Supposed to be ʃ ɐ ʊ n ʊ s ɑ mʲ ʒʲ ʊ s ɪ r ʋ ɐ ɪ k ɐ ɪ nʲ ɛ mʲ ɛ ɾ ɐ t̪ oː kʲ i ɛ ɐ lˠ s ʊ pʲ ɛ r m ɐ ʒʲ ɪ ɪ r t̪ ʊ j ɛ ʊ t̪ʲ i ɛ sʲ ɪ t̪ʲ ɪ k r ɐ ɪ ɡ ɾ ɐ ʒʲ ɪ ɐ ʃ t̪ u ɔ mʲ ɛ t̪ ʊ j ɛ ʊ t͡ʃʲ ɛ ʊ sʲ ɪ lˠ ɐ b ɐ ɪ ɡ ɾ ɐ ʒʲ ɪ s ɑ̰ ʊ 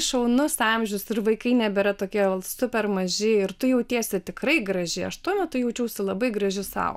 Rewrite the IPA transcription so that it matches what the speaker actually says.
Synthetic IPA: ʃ ɐ ʊ n ʊ s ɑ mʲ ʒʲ ʊ s ɪ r ʋ ɐ ɪ k ɐ ɪ nʲ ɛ bʲ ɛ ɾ ɐ t̪ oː kʲ i ɛ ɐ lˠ s ʊ pʲ ɛ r m ɐ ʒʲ ɪ ɪ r t̪ ʊ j ɛ ʊ t̪ʲ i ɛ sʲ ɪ t̪ʲ ɪ k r ɐ ɪ ɡ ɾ ɐ ʒʲ ɪ ɐ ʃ t̪ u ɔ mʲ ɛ t̪ ʊ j ɛ ʊ t͡ʃʲ ɛ ʊ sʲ ɪ lˠ ɐ b ɐ ɪ ɡ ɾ ɐ ʒʲ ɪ s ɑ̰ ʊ